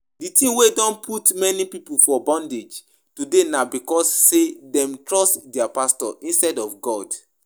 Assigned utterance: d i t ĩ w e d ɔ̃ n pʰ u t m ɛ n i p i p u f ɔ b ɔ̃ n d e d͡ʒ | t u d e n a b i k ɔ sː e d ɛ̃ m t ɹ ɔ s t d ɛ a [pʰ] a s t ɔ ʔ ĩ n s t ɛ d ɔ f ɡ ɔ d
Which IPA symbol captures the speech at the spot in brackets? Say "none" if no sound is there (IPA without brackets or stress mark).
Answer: p